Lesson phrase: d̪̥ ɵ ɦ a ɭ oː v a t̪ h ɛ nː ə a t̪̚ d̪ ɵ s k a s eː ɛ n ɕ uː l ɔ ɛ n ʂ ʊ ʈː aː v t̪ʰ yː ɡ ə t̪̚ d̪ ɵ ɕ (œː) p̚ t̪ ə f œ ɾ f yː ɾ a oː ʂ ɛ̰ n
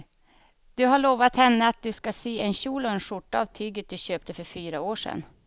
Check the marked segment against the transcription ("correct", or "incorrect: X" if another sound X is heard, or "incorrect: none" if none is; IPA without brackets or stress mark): incorrect: øː